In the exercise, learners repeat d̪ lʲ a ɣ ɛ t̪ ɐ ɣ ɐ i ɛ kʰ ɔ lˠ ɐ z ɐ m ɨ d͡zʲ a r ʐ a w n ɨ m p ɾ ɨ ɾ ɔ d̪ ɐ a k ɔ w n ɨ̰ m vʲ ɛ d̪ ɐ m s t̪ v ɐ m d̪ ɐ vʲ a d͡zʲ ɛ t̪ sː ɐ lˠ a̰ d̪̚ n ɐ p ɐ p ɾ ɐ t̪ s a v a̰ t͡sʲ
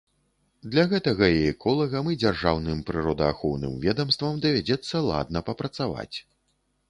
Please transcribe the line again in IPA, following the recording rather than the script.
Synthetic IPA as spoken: d̪ lʲ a ɣ ɛ t̪ ɐ ɣ ɐ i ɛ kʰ ɔ lˠ ɐ ɣ ɐ m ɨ d͡zʲ a r ʐ a w n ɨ m p ɾ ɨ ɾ ɔ d̪ ɐ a x ɔ w n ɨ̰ m vʲ ɛ d̪ ɐ m s t̪ v ɐ m d̪ ɐ vʲ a d͡zʲ ɛ t̪ sː ɐ lˠ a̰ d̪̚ n ɐ p ɐ p ɾ ɐ t̪ s a v a̰ t͡sʲ